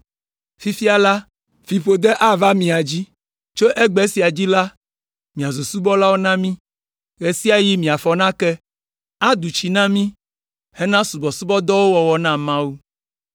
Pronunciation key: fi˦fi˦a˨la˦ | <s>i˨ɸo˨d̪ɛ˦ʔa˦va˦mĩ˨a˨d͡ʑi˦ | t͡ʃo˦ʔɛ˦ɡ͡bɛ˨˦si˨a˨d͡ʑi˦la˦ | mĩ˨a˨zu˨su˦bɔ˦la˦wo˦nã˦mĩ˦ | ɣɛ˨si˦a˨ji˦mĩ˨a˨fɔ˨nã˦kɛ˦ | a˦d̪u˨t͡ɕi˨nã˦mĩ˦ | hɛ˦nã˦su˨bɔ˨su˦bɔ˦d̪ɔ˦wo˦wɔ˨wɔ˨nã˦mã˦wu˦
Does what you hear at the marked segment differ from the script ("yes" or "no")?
yes